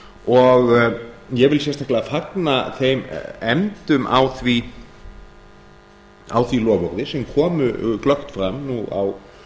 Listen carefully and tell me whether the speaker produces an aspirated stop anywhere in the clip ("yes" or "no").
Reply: yes